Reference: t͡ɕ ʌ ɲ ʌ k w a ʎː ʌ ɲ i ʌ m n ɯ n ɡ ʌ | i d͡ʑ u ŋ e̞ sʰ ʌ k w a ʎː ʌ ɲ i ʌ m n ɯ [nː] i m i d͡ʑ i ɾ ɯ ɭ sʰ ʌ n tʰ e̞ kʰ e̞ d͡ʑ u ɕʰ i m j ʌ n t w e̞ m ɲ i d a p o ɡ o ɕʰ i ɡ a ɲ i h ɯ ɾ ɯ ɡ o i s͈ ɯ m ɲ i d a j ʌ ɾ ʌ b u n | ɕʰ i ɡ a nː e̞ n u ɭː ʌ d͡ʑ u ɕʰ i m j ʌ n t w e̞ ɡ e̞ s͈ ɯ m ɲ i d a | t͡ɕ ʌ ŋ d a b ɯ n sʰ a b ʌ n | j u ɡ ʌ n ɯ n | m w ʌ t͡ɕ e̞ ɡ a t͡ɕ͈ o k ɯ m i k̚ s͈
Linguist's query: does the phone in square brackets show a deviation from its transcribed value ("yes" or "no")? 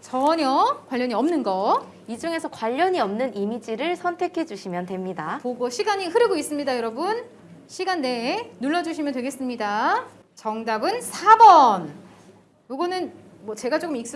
yes